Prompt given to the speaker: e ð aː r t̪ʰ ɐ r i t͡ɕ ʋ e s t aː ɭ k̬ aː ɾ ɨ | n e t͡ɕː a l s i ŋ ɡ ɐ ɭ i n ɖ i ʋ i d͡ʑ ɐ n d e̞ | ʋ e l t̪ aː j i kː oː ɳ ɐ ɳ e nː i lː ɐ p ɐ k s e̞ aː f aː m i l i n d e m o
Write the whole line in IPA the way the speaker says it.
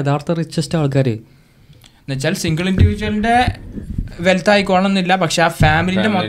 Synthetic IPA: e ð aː r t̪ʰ ɐ r i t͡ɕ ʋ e s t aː ɭ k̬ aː ɾ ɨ | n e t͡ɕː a l s i ŋ ɡ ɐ ɭ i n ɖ i ʋ i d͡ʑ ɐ n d e̞ | ʋ e l t̪ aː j i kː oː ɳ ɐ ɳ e nː i lː ɐ p ɐ k ʂ e̞ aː f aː m i l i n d e m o